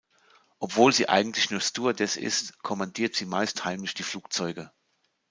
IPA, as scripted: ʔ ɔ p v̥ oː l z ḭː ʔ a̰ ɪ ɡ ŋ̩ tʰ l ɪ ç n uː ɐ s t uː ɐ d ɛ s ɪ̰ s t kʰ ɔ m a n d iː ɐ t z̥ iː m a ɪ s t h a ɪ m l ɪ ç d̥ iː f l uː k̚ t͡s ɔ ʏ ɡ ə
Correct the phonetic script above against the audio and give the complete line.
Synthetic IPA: ʔ ɔ p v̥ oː l z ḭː ʔ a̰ ɪ ɡ ŋ̩ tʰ l ɪ ç n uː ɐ s t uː ɐ d ɛ s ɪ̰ s t kʰ ɔ m a n d iː ɐ t z̥ iː m a ɪ s t h a ɪ m l ɪ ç d̥ iː f l uː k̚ t͡s ɔ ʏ ɡ ə